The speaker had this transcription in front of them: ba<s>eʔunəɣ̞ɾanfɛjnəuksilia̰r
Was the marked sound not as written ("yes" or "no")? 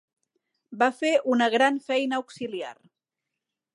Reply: yes